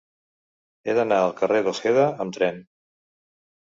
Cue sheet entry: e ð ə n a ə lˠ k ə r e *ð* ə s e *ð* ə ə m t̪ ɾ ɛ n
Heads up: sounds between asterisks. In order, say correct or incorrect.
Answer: correct, correct

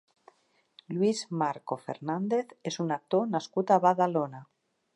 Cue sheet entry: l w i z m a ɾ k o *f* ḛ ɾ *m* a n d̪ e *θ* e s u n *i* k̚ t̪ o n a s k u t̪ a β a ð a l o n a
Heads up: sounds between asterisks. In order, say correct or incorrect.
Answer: correct, incorrect: n, correct, incorrect: a

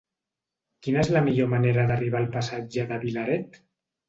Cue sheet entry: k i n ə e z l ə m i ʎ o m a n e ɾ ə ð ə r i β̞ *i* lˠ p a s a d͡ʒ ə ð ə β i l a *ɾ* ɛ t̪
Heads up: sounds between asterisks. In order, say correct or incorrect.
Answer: incorrect: a, correct

